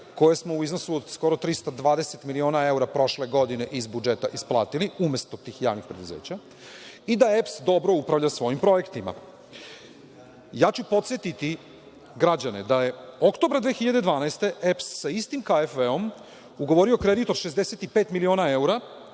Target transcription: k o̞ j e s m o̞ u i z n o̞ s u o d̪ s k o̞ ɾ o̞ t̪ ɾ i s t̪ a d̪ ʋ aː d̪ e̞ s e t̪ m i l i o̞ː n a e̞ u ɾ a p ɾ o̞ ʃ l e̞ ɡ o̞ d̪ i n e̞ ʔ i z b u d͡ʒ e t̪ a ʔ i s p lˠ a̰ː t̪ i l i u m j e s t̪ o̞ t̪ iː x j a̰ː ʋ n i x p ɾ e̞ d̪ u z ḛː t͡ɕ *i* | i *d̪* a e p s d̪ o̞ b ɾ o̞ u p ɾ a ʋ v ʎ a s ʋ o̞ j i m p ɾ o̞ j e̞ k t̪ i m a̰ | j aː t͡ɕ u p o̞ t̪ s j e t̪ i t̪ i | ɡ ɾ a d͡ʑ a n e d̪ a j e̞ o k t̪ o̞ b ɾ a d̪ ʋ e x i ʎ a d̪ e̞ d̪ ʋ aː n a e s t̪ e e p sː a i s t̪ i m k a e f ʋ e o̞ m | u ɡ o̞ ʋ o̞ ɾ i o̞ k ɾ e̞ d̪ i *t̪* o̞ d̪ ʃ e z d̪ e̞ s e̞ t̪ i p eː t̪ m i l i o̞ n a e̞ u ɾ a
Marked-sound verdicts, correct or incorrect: incorrect: a, correct, correct

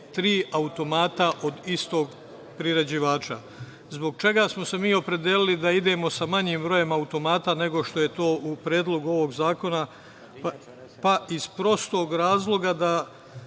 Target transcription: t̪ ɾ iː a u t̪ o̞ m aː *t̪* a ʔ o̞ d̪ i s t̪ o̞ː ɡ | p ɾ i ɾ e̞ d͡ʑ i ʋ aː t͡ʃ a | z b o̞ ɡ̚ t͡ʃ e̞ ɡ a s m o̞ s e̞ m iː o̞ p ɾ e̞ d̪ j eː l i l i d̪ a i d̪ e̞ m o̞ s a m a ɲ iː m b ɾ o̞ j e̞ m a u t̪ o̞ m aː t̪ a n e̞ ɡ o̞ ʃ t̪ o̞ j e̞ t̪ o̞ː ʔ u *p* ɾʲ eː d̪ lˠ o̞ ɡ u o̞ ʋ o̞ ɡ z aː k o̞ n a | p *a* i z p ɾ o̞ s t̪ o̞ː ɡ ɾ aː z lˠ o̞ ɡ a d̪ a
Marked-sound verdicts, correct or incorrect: correct, correct, correct

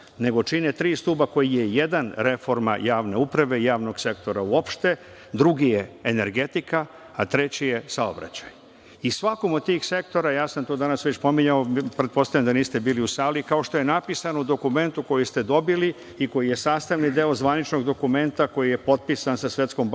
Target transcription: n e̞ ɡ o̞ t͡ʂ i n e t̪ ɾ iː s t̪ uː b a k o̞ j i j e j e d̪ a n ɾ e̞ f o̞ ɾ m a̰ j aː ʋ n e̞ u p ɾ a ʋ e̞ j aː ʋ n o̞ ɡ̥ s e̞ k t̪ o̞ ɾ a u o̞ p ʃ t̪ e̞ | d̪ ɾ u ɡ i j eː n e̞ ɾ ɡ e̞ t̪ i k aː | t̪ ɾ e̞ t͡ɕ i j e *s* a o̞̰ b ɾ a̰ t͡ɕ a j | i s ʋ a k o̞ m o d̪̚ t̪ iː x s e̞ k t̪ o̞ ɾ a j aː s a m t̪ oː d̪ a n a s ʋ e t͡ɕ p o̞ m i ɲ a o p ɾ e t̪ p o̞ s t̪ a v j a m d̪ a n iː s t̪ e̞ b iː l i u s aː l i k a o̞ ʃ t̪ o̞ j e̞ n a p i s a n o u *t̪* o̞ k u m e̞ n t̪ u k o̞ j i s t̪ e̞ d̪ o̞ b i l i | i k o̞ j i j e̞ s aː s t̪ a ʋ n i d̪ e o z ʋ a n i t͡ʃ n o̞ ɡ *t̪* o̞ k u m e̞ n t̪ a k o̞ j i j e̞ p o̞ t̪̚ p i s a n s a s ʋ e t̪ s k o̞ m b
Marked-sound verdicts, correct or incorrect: correct, incorrect: d̪, incorrect: d̪

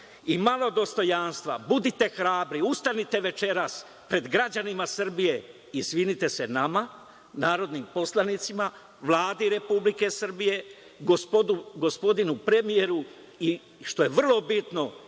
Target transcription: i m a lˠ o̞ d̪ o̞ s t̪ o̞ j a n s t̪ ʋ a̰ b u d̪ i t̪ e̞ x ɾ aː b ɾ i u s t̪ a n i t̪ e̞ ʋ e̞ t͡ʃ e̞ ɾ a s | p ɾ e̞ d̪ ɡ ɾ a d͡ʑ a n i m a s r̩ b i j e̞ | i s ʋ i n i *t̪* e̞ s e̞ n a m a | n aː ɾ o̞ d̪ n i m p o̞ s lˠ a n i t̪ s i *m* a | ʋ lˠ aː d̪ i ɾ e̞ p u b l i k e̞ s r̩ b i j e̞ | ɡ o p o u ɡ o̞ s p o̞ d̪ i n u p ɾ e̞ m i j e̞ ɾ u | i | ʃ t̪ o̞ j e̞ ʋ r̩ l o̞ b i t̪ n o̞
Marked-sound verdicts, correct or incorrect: correct, correct

